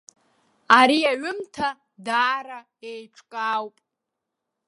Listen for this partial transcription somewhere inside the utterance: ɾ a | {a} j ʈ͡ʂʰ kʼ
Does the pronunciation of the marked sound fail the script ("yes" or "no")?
yes